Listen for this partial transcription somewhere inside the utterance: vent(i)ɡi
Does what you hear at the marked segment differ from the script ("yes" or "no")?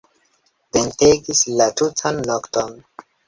yes